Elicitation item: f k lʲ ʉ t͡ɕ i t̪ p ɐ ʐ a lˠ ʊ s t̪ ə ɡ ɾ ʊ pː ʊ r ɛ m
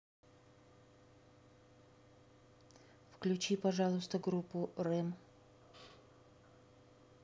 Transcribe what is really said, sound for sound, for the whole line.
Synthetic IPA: f k lʲ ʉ t͡ɕ i p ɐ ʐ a lˠ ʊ s t̪ ə ɡ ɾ u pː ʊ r ɛ m